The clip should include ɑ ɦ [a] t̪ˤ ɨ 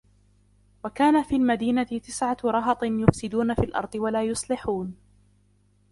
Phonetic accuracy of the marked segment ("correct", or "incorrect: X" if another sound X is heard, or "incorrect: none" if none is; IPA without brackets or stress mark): incorrect: ɑ